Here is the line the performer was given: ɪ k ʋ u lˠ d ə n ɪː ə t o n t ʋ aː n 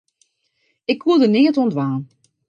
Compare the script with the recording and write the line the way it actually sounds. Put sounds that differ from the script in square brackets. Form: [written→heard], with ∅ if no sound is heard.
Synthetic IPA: ɪ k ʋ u lˠ d ə n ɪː ə t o n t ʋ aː n